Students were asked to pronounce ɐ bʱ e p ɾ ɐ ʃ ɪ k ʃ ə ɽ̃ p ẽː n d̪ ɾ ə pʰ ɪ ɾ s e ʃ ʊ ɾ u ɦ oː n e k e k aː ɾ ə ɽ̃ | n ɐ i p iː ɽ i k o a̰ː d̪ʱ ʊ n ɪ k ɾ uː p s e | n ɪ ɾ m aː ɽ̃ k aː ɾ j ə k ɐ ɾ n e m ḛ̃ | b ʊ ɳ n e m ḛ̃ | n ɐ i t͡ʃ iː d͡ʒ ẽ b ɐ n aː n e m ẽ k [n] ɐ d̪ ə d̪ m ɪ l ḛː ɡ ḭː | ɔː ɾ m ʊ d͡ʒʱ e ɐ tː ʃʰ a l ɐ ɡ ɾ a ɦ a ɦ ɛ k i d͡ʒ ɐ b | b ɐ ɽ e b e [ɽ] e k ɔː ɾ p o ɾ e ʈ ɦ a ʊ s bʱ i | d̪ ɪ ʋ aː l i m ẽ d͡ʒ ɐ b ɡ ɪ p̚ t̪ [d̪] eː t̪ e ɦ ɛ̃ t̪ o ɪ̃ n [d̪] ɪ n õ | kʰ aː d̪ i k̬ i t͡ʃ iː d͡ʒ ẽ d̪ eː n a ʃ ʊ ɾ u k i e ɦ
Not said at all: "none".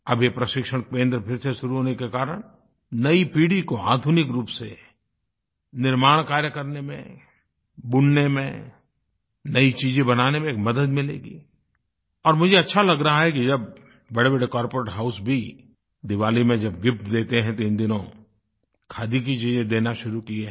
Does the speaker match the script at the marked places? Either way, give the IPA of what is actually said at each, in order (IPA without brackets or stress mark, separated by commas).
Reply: m, ɽ, d̪, d̪